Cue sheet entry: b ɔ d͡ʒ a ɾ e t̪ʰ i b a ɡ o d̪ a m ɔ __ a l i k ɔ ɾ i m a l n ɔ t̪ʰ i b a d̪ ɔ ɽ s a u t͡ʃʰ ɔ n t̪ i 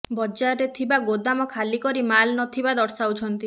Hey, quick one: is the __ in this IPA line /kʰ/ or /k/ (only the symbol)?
kʰ